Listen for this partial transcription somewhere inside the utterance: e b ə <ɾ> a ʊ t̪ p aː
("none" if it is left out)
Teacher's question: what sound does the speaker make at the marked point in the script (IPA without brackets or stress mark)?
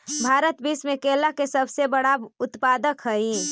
ɽ